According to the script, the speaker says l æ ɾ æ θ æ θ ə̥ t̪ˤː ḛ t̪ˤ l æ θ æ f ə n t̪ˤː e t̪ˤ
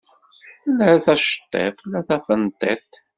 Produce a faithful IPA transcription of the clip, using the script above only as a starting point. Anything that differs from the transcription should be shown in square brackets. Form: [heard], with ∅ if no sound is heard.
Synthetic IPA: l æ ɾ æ θ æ [ʃ] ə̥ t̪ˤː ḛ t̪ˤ l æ θ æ f ə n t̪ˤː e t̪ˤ